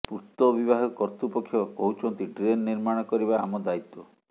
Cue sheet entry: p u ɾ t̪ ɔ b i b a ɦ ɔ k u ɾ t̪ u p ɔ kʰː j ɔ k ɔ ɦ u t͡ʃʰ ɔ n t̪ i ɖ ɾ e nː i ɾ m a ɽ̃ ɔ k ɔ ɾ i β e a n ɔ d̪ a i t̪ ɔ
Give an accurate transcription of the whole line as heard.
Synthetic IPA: p u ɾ t̪ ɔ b i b a ɦ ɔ k ɔ ɾ t̪ u p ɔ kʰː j ɔ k ɔ ɦ u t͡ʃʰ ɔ n t̪ i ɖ ɾ e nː i ɾ m a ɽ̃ ɔ k ɔ ɾ i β a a m ɔ d̪ a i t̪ ɔ